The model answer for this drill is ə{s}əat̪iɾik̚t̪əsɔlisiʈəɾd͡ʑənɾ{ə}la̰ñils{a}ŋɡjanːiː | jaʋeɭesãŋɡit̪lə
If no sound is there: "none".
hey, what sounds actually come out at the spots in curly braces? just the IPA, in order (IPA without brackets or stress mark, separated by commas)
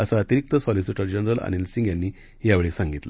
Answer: s, ə, i